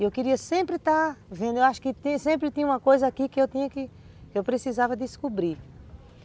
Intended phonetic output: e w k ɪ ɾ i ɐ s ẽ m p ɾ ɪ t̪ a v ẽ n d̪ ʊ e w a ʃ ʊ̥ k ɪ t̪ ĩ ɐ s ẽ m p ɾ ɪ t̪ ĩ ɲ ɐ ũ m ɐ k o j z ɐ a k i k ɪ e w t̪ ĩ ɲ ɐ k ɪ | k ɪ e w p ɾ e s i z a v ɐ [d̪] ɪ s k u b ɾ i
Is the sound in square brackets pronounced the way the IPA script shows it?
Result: yes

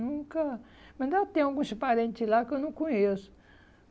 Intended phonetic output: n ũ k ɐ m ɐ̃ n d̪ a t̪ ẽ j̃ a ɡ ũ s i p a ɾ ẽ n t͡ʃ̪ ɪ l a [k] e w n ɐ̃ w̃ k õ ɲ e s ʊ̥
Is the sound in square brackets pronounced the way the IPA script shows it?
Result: yes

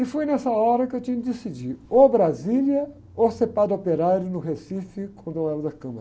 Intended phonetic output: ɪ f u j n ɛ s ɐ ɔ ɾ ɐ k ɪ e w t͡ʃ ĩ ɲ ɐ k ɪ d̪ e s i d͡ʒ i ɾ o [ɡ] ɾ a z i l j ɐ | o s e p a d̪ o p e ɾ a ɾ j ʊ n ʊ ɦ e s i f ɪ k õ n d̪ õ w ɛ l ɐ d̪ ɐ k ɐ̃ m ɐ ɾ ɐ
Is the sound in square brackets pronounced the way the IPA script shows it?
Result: no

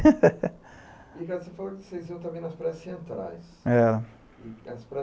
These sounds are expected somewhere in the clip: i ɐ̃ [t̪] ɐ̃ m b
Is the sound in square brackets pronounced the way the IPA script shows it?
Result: yes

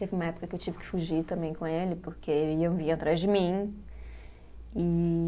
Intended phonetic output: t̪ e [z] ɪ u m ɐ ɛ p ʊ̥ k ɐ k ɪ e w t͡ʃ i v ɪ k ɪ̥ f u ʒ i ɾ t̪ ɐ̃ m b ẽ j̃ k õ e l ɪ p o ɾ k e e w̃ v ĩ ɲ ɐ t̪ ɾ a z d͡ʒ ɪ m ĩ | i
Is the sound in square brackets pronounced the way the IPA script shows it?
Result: no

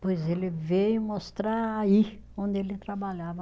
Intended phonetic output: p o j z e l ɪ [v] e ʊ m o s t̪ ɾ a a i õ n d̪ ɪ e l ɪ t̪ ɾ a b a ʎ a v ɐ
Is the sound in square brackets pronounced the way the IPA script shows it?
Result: yes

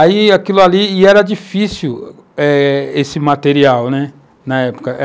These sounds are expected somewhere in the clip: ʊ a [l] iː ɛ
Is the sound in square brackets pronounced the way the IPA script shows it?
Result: yes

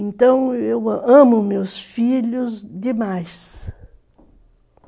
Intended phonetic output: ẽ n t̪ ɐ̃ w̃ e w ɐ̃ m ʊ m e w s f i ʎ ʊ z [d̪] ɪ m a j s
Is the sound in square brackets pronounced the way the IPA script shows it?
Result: yes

